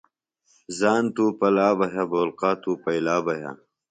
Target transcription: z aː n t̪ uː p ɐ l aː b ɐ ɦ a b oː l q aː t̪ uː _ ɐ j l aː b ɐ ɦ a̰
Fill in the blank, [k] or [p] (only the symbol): p